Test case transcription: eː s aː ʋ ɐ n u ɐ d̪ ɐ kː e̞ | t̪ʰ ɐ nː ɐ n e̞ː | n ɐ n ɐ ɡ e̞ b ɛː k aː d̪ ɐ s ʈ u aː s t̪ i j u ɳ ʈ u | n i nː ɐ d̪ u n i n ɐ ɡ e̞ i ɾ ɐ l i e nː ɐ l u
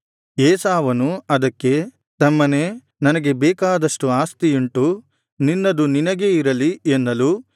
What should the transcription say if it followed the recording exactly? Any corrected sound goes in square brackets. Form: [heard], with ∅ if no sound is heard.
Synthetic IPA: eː s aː ʋ ɐ n u ɐ d̪ ɐ kː e̞ | [t̪] ɐ [mː] ɐ n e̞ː | n ɐ n ɐ ɡ e̞ b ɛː k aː d̪ ɐ [ʂ] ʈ u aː s t̪ i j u ɳ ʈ u | n i nː ɐ d̪ u n i n ɐ ɡ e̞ i ɾ ɐ l i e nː ɐ l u